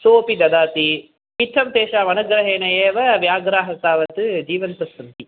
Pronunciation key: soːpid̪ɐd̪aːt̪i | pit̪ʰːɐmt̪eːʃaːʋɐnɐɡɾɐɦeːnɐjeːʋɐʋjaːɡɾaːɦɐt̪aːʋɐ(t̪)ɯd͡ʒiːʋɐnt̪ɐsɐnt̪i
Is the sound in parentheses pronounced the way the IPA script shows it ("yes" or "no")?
yes